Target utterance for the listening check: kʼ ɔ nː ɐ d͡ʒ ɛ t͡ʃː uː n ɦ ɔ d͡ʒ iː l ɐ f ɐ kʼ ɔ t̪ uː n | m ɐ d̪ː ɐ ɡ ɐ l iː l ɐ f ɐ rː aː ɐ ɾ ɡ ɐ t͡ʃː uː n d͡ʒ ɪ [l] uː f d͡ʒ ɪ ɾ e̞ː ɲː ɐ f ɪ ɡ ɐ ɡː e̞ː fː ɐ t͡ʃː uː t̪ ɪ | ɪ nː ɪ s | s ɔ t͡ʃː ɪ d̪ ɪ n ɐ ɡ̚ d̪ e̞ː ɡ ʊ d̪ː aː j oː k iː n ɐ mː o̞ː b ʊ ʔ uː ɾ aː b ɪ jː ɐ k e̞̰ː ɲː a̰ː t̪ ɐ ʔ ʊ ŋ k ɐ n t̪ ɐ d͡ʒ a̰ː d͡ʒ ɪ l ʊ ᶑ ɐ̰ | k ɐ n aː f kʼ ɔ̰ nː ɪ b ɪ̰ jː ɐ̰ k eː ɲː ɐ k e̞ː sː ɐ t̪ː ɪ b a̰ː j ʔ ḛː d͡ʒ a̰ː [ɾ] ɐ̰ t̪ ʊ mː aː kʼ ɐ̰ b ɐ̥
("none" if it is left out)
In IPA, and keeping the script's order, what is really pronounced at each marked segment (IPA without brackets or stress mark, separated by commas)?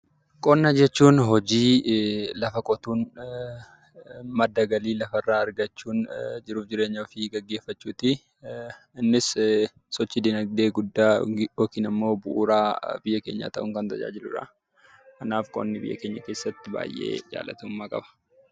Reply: ɾ, l